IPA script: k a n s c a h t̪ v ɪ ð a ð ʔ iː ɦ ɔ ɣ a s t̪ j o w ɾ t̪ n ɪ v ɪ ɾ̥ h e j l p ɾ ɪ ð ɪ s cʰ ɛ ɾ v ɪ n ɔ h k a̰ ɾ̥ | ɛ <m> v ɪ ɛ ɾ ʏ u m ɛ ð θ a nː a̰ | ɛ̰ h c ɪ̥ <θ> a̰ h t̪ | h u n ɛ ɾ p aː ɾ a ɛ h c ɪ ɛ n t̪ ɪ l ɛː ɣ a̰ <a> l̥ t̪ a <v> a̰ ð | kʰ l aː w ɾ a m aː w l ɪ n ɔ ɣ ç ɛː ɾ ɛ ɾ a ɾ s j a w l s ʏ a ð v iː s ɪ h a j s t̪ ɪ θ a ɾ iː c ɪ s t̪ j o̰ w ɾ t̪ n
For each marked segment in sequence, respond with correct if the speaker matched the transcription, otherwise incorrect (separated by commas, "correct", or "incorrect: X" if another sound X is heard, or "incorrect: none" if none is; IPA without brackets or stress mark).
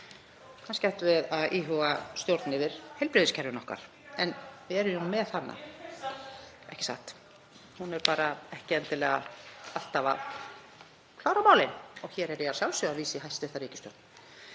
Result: incorrect: n, incorrect: s, correct, correct